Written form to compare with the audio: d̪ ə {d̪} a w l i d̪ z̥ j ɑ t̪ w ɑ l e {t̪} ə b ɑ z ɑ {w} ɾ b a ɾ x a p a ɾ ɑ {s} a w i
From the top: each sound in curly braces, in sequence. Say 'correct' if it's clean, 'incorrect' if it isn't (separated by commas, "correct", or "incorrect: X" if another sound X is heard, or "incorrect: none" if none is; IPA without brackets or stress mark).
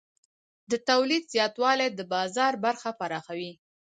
incorrect: t̪, incorrect: d̪, incorrect: none, incorrect: x